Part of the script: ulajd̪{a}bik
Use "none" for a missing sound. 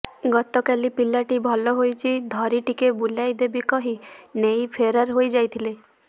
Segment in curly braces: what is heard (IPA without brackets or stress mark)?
e